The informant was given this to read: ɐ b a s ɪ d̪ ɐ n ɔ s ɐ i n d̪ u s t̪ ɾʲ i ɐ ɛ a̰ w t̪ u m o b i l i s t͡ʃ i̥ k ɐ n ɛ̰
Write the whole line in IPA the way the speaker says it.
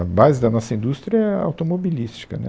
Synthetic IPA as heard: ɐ b a z ɪ d̪ ɐ n ɔ s ɐ ĩ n d̪ u s t̪ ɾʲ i ɐ ɛ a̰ w t̪ o m o b i l i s t͡ʃ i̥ k ɐ n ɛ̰